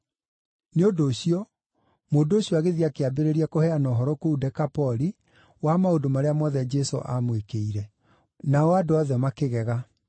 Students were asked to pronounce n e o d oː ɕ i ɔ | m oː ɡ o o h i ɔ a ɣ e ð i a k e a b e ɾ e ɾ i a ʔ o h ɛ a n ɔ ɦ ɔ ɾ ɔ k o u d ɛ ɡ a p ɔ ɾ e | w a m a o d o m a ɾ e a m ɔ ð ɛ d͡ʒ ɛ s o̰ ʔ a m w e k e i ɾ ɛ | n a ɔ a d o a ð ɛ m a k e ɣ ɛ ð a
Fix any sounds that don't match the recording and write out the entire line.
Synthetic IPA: n e o d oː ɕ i ɔ | m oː d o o ɕ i ɔ a ɣ e ð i a k e a b e ɾ e ɾ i a k o h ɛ a n ɔ ɦ ɔ ɾ ɔ k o u d ɛ k a p ɔ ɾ i | w a m a o d o m a ɾ e a m ɔ ð ɛ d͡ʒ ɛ s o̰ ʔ a m w e k e i ɾ ɛ | n a ɔ a d o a ð ɛ m a k e ɣ ɛ ɣ a

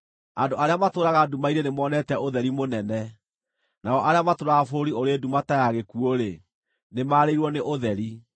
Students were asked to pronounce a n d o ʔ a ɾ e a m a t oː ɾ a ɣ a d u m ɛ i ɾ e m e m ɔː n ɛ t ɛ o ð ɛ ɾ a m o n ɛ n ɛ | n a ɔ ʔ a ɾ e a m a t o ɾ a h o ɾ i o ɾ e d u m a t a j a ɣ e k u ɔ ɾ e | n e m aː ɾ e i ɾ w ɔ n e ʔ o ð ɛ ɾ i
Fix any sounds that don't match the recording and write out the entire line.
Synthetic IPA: a n d o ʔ a ɾ e a m a t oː ɾ a ɣ a d u m a i ɾ e n e m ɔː n ɛ t ɛ o ð ɛ ɾ i m o n ɛ n ɛ | n a ɔ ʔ a ɾ e a m a t o ɾ a f o ɾ i o ɾ e d u m a t a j a ɣ e k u o ɾ e | n e m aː ɾ e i ɾ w ɔ n e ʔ o ð ɛ ɾ i

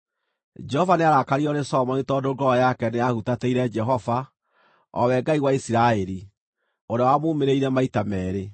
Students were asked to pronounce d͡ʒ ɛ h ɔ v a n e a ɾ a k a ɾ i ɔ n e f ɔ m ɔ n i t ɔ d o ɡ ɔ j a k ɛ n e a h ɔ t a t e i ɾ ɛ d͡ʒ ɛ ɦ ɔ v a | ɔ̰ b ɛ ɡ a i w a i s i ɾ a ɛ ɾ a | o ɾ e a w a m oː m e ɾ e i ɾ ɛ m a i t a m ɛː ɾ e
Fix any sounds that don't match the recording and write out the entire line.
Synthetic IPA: d͡ʒ ɛ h ɔ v a n e a ɾ a k a ɾ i ɔ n e s ɔ m ɔ n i t ɔ d o ɡ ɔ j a k ɛ n e a h u t a t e i ɾ ɛ d͡ʒ ɛ ɦ ɔ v a | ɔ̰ w ɛ ɡ a i w a i s i ɾ a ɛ ɾ i | o ɾ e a w a m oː m e ɾ e i ɾ ɛ m a i t a m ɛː ɾ e

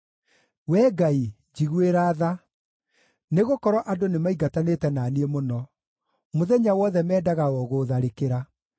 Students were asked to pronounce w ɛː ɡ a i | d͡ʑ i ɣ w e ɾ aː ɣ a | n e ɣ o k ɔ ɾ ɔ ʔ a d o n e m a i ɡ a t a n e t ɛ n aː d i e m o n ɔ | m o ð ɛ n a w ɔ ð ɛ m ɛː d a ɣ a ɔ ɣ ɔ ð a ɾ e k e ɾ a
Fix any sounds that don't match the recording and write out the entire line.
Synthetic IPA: w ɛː ɡ a i | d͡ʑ i ɣ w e ɾ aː ð a | n e ɣ o k ɔ ɾ ɔ ʔ a d o n e m a i ɡ a t a n e t ɛ n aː n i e m o n ɔ | m o ð ɛ ɲ a w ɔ ð ɛ m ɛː d a ɣ a ɔ ɣ o ð a ɾ e k e ɾ a

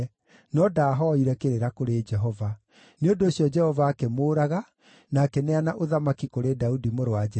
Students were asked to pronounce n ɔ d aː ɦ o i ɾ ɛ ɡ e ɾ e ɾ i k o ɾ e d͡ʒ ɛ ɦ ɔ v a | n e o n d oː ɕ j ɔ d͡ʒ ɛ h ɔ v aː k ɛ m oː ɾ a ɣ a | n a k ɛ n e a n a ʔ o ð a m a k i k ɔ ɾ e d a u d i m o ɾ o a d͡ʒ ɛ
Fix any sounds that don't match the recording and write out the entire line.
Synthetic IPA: n ɔ d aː ɦ ɔ i ɾ ɛ k e ɾ e ɾ a k o ɾ e d͡ʒ ɛ ɦ ɔ v a | n e o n d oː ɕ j ɔ d͡ʒ ɛ h ɔ v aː k ɛ m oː ɾ a ɣ a | n a k ɛ n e a n a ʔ o ð a m a k i k o ɾ e d a u d i m o ɾ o a d͡ʒ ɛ

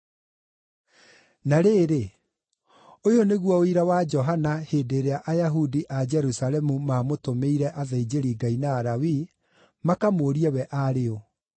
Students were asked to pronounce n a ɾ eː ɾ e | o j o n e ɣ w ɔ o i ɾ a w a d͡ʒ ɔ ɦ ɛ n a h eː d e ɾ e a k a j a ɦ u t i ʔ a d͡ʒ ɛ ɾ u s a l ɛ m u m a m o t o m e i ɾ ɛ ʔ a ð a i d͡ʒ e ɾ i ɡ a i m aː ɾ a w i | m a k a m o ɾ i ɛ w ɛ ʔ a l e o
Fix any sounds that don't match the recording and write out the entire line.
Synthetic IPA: n a ɾ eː ɾ e | o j o n e ɣ w ɔ o i ɾ a w a d͡ʒ ɔ ɦ a n a h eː d e ɾ e a ʔ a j a ɦ u d i ʔ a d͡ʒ ɛ ɾ u s a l ɛ m u m a m o t o m e i ɾ ɛ ʔ a ð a i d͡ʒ e ɾ i ɡ a i n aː ɾ a w i | m a k a m o ɾ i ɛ w ɛ ʔ a ɾ e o

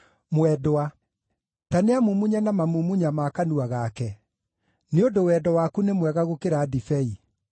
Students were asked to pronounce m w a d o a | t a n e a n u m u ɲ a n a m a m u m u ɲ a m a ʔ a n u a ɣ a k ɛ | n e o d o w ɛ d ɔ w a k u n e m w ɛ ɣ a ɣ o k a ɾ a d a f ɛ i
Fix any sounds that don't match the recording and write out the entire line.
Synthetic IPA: m w ɛ d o a | t a n e a m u m u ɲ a n a m a m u m u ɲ a m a k a n u a ɣ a k ɛ | n e o d o w ɛ d ɔ w a k u n e m w ɛ ɣ a ɣ o k e ɾ a d i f ɛ i

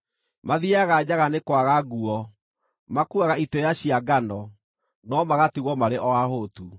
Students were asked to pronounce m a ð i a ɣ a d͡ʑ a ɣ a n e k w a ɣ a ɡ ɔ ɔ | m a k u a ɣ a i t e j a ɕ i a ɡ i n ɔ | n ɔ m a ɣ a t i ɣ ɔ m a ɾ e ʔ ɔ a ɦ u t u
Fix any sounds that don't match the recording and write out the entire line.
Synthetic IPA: m a ð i a ɣ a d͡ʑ a ɣ a n e k w a ɣ a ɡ u ɔ | m a k u a ɣ a i t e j a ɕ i a ɡ a n ɔ | n ɔ m a ɣ a t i ɣ ɔ m a ɾ e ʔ ɔ a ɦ o t u

